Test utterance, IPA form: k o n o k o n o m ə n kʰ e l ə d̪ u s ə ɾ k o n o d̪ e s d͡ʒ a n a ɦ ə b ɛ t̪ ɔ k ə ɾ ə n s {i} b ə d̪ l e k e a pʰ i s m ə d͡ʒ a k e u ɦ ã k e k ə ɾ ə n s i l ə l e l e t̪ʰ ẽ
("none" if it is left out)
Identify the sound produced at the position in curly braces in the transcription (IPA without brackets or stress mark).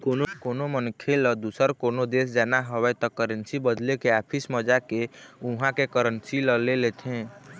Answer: i